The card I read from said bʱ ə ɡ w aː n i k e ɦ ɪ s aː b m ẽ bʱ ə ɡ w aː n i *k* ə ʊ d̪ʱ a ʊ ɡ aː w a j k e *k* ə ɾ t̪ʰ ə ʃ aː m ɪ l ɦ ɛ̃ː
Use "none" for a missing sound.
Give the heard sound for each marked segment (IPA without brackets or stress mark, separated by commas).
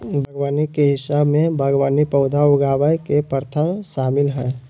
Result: p, p